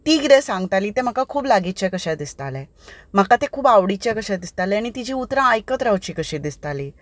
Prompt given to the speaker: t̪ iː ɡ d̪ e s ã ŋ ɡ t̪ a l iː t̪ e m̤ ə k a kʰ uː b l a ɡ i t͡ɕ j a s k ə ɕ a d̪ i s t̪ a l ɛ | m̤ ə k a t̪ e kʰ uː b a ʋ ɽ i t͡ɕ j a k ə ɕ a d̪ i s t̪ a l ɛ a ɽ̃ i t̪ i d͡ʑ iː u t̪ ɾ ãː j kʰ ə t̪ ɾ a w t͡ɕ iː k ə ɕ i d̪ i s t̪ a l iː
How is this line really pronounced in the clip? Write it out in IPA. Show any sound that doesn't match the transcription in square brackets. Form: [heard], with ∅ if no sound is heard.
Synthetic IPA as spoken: t̪ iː ɡ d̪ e s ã ŋ ɡ t̪ a l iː t̪ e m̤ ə k a kʰ uː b l a ɡ i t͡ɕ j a [∅] k ə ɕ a d̪ i s t̪ a l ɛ | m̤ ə k a t̪ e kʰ uː b a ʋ ɽ i t͡ɕ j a k ə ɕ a d̪ i s t̪ a l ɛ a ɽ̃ i t̪ i d͡ʑ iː u t̪ ɾ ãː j [k] ə t̪ ɾ a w t͡ɕ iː k ə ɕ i d̪ i s t̪ a l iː

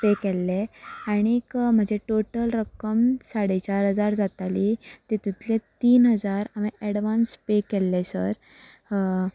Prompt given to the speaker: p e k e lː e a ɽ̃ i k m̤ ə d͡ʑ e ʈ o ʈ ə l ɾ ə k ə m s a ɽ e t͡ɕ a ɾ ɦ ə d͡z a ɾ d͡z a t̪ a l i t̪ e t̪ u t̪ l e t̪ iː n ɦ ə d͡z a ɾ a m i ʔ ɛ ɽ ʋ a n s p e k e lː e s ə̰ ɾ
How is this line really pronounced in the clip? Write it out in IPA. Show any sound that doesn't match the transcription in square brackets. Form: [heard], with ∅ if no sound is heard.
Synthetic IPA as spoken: p e k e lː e a ɽ̃ i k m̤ ə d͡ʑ e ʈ o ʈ ə l ɾ ə k ə m s a ɽ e t͡ɕ a ɾ ɦ ə d͡z a ɾ d͡z a t̪ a l i t̪ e t̪ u t̪ l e t̪ iː n ɦ ə d͡z a ɾ a m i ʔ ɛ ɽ ʋ a n s p e k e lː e s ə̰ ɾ

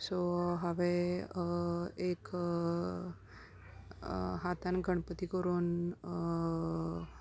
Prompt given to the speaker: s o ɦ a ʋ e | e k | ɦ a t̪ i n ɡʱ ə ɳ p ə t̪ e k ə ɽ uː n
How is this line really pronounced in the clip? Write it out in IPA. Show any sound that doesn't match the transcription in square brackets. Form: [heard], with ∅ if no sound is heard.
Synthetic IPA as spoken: s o ɦ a ʋ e | e k | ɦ a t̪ [a] n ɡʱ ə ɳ p ə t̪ [i] k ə [ɾ] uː n

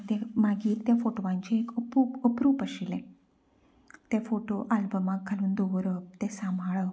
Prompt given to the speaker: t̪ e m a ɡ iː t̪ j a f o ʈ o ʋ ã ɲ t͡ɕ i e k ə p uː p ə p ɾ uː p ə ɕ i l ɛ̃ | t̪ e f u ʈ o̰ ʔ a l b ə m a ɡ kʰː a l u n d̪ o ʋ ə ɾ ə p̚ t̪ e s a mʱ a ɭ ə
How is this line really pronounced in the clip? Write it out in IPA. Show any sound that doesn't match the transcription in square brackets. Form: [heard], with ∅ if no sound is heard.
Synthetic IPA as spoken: t̪ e m a ɡ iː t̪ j a f o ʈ o ʋ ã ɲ t͡ɕ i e k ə p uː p ə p ɾ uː p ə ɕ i l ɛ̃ | t̪ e f [o] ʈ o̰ ʔ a l b ə m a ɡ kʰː a l [uː] n d̪ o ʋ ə ɾ ə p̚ t̪ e s a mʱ a ɭ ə

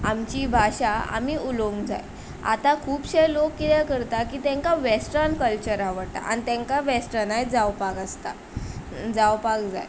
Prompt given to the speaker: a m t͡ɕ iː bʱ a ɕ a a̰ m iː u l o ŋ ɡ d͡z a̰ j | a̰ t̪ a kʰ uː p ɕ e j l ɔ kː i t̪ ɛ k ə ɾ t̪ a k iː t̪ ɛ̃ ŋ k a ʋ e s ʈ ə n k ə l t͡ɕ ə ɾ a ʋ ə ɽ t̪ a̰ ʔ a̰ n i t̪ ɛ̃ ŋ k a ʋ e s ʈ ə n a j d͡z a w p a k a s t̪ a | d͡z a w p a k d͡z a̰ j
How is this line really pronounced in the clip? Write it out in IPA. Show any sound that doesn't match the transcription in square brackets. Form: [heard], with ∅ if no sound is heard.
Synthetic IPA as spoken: a m t͡ɕ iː bʱ a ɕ a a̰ m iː u l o ŋ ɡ d͡z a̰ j | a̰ t̪ a kʰ uː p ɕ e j l [o] kː i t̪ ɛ k ə ɾ t̪ a k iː t̪ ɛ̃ ŋ k a ʋ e s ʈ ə n k ə l t͡ɕ ə ɾ a ʋ ə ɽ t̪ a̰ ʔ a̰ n i t̪ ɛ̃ ŋ k a ʋ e s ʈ ə n a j d͡z a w p a k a s t̪ a | d͡z a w p a k d͡z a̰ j

